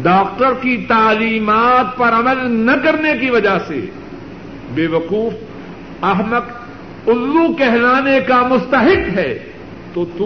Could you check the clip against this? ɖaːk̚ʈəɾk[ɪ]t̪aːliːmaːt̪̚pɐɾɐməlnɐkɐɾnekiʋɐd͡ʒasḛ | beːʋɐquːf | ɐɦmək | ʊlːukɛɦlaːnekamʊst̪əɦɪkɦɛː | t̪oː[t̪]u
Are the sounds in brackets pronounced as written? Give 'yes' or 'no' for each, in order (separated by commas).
no, yes